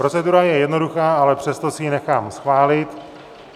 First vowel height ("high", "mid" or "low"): mid